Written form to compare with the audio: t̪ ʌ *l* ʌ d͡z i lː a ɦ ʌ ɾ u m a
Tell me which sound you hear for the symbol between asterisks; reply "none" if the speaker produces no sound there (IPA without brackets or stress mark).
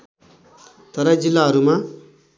ɾ